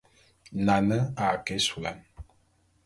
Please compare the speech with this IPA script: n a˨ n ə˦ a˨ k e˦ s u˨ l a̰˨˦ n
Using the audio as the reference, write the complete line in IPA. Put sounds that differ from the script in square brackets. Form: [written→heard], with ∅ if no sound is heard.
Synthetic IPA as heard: n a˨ n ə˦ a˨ k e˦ s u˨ l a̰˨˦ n